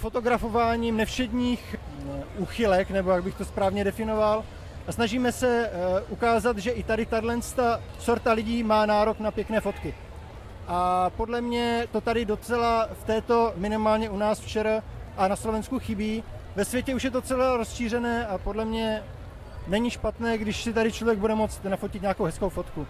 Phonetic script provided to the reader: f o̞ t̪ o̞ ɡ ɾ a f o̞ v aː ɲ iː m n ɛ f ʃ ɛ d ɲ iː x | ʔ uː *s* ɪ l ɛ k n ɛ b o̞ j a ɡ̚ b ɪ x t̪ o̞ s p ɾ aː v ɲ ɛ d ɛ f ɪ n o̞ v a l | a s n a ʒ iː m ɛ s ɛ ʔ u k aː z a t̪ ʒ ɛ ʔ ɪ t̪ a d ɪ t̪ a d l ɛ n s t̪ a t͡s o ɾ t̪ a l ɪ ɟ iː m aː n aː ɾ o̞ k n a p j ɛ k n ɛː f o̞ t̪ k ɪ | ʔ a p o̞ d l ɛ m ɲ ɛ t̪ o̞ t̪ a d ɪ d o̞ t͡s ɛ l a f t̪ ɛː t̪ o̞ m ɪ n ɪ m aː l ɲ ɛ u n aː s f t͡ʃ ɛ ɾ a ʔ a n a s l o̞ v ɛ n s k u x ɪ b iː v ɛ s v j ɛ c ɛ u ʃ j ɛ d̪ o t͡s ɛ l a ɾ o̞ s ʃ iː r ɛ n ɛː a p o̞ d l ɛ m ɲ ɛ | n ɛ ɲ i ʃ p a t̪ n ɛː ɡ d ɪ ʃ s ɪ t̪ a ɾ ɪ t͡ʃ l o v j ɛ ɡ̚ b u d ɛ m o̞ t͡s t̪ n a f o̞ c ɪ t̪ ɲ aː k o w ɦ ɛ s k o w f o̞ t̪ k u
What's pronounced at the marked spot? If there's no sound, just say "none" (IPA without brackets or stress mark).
x